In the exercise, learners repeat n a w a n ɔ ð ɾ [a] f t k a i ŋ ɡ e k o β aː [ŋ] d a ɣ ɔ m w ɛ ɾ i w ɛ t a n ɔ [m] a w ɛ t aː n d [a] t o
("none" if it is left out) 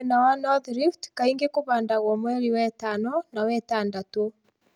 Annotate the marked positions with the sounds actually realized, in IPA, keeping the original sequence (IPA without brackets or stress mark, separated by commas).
i, n, n, a